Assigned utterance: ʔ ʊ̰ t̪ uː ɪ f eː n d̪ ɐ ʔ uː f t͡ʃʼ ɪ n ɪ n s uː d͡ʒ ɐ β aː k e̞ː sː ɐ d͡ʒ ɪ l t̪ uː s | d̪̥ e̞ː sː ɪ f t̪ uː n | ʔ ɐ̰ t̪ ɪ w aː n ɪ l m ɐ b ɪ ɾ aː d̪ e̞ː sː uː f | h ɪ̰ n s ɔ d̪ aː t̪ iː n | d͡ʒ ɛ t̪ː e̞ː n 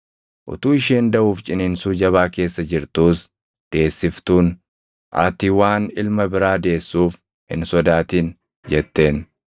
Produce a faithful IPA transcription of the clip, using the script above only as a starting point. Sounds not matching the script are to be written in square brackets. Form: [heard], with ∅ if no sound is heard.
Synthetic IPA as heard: ʔ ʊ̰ t̪ uː ɪ [ʃ] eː n d̪ ɐ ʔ uː f t͡ʃʼ ɪ n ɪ n s uː d͡ʒ ɐ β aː k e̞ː sː ɐ d͡ʒ ɪ [ɾ] t̪ uː s | d̪̥ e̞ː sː ɪ f t̪ uː n | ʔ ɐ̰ t̪ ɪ w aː n ɪ l m ɐ b ɪ ɾ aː d̪ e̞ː sː uː f | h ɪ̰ n s ɔ d̪ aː t̪ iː n | d͡ʒ ɛ t̪ː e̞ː n